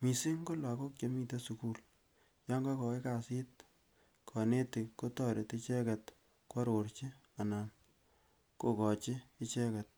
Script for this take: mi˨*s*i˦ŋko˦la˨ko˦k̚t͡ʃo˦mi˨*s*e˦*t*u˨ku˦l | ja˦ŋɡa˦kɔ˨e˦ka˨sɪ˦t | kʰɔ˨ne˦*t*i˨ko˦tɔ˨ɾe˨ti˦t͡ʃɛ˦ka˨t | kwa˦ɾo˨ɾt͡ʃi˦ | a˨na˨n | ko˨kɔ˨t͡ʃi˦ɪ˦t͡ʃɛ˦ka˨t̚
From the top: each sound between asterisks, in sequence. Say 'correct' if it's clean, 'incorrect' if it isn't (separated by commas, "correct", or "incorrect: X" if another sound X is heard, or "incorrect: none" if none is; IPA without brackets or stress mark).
correct, incorrect: t, incorrect: s, correct